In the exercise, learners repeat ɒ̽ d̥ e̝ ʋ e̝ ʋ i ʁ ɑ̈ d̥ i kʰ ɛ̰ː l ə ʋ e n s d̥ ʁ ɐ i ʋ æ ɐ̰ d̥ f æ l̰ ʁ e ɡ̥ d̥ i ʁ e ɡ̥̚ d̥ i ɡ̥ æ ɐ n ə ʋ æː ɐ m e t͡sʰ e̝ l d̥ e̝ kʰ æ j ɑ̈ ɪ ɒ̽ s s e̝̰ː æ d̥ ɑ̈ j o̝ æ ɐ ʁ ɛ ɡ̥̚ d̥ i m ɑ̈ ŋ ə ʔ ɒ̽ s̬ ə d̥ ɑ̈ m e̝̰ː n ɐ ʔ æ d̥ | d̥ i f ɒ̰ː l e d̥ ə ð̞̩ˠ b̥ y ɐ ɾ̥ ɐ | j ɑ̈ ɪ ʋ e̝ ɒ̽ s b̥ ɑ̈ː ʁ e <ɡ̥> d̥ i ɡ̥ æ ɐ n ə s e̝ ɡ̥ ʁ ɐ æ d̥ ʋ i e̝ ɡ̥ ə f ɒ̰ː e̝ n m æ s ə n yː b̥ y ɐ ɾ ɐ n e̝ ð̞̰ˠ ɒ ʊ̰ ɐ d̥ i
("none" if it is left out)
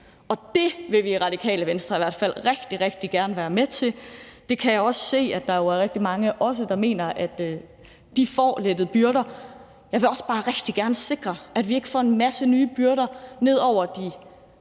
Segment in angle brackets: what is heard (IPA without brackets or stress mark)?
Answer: ɡ̥